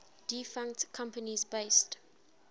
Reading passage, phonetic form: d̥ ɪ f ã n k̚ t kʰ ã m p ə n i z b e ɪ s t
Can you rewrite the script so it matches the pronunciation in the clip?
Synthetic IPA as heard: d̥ i f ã ŋ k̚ t kʰ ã m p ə n i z b e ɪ s t